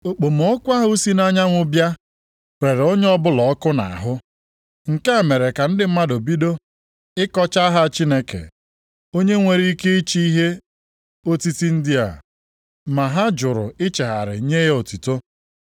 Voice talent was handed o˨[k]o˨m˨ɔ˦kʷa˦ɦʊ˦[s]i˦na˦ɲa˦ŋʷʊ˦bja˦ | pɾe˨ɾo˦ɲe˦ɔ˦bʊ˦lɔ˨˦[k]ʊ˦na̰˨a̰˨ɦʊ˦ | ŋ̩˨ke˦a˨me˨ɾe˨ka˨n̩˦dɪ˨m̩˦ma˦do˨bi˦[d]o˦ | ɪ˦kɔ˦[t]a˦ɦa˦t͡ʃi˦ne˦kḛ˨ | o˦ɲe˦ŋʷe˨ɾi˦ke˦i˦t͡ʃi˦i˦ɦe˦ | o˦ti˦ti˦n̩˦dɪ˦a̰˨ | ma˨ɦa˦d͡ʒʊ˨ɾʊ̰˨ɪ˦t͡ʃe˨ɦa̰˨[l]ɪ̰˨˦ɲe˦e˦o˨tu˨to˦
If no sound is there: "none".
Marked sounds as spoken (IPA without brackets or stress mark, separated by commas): k͡p, s, k, d, t͡ʃ, ɾ